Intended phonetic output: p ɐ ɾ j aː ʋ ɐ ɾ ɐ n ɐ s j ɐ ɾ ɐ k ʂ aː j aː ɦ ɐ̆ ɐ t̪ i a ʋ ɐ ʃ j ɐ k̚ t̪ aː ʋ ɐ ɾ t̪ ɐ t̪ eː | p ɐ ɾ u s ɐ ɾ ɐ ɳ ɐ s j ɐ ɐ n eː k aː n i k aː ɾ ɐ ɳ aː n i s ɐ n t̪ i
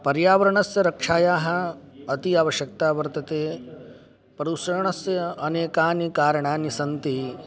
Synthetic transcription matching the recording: p ɐ ɾ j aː ʋ ɐ ɾ ɐ ɳ ɐ s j ɐ ɾ ɐ k ʂ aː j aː ɦ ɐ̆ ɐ t̪ i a ʋ ɐ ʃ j ɐ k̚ t̪ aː ʋ ɐ ɾ t̪ ɐ t̪ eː | p ɐ ɾ u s ɐ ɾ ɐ ɳ ɐ s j ɐ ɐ n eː k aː n i k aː ɾ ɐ ɳ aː n i s ɐ n t̪ i

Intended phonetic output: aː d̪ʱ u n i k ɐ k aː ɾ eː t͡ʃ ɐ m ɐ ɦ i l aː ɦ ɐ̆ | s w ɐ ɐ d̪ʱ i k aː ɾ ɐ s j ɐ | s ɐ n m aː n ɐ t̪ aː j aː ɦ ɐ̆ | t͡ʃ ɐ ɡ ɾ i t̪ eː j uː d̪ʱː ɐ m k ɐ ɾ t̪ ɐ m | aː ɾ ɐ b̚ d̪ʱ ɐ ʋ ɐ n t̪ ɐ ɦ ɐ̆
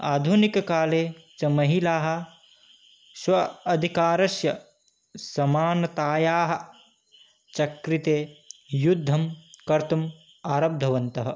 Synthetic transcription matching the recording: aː d̪ʱ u n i k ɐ k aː l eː t͡ʃ ɐ m ɐ ɦ i l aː ɦ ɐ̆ | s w ɐ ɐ d̪ʱ i k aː ɾ ɐ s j ɐ | s ɐ m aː n ɐ t̪ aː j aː ɦ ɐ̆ | t͡ʃ ɐ k ɾ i t̪ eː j u d̪ʱː ɐ m k ɐ ɾ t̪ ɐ m | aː ɾ ɐ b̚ d̪ʱ ɐ ʋ ɐ n t̪ ɐ ɦ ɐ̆

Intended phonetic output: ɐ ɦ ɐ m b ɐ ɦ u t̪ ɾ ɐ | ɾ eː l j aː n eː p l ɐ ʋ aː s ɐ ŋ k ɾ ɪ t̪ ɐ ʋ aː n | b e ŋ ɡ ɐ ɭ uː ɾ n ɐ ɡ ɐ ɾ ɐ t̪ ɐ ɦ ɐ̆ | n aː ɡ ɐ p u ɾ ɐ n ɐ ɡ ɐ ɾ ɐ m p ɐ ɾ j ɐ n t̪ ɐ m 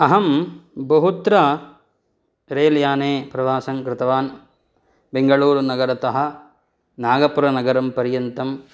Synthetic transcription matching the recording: ɐ ɦ ɐ m b ɐ ɦ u t̪ ɾ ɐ | ɾ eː l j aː n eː p ɾ ɐ ʋ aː s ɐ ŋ k ɾ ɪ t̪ ɐ ʋ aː n | b e ŋ ɡ ɐ ɭ uː ɾ n ɐ ɡ ɐ ɾ ɐ t̪ ɐ ɦ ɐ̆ | n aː ɡ ɐ p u ɾ ɐ n ɐ ɡ ɐ ɾ ɐ m p ɐ ɾ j ɐ n t̪ ɐ m

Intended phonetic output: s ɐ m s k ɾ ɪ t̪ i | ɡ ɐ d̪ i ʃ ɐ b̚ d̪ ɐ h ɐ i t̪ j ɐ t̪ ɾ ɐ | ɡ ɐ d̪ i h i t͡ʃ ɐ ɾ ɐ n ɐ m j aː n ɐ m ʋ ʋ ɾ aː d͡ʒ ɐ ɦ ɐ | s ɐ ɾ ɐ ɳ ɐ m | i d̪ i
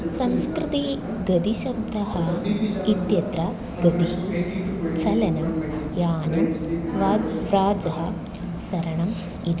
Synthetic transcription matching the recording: s ɐ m s k ɾ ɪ t̪ i | ɡ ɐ d̪ i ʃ ɐ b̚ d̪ ɐ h ɐ i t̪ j ɐ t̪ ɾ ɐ | ɡ ɐ d̪ i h i t͡ʃ ɐ l ɐ n ɐ m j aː n ɐ m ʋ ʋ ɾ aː d͡ʒ ɐ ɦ ɐ | s ɐ ɾ ɐ ɳ ɐ m | i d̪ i

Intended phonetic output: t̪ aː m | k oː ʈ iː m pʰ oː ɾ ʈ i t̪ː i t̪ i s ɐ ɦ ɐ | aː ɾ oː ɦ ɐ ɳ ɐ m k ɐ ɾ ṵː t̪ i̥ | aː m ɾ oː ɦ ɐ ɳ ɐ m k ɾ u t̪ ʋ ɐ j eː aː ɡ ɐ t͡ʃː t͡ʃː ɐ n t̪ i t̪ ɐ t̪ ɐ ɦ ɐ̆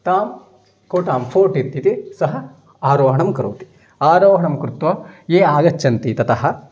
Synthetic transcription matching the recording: t̪ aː m | k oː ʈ aː m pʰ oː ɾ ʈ i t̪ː i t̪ i s ɐ ɦ ɐ | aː ɾ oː ɦ ɐ ɳ ɐ m k ɐ ɾ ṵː t̪ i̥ | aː ɾ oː ɦ ɐ ɳ ɐ m k ɾ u t̪ ʋ ɐ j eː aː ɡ ɐ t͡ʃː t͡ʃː ɐ n t̪ i t̪ ɐ t̪ ɐ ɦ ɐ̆

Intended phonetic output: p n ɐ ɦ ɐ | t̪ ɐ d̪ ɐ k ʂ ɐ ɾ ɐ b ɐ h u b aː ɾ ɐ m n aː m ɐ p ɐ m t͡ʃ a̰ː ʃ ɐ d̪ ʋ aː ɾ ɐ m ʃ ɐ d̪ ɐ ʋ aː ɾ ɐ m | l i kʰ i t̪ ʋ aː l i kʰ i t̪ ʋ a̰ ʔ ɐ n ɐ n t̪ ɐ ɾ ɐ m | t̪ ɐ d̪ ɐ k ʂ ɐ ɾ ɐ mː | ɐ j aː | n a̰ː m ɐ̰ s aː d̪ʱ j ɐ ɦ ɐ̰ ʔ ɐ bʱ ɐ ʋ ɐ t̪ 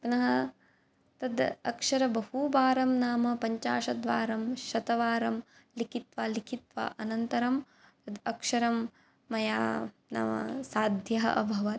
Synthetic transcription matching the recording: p n ɐ ɦ ɐ | t̪ ɐ d̪ ɐ k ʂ ɐ ɾ ɐ b ɐ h u b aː ɾ ɐ m n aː m ɐ p ɐ ɲ t͡ʃ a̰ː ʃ ɐ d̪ ʋ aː ɾ ɐ m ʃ ɐ t̪ ɐ ʋ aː ɾ ɐ m | l i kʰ i t̪ ʋ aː l i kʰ i t̪ ʋ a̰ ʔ ɐ n ɐ n t̪ ɐ ɾ ɐ m | t̪ ɐ d̪ ɐ k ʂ ɐ ɾ ɐ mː | ɐ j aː | n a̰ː m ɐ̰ s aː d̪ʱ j ɐ ɦ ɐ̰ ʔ ɐ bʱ ɐ ʋ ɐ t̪

